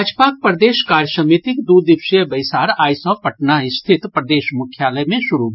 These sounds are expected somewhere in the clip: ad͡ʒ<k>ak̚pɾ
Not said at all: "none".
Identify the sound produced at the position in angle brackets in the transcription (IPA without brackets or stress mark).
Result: p